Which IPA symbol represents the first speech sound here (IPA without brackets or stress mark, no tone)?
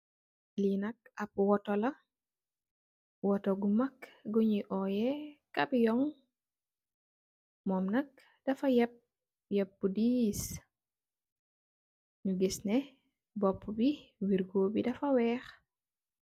l